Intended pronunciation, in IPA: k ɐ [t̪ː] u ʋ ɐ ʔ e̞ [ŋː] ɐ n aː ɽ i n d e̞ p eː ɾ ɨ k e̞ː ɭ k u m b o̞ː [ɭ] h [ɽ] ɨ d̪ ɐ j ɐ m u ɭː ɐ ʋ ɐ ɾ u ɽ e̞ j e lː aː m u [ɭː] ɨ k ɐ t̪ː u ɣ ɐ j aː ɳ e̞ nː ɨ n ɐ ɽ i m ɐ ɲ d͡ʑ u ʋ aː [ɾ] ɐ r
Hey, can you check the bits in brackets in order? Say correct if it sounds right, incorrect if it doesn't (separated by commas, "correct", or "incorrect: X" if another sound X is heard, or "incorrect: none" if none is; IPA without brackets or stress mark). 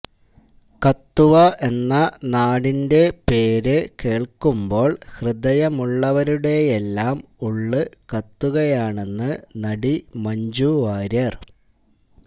correct, incorrect: nː, correct, incorrect: r, correct, correct